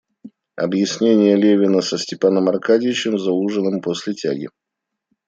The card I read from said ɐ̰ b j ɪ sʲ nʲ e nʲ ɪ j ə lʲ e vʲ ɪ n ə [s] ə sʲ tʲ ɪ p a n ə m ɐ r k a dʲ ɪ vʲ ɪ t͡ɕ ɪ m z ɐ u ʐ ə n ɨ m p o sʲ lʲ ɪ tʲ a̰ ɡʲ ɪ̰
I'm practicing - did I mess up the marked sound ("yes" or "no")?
no